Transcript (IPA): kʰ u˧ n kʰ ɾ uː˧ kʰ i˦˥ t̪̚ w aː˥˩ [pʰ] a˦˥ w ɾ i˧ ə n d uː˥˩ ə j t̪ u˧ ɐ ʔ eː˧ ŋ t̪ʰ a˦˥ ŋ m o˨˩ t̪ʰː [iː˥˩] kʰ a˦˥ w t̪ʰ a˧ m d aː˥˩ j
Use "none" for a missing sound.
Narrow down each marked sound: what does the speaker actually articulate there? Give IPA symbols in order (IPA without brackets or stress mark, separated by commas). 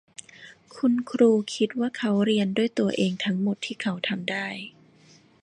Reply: kʰ, iː˥˩